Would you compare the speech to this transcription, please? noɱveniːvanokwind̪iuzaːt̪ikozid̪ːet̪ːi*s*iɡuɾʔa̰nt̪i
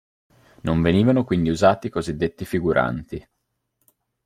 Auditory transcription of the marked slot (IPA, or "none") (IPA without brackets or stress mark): f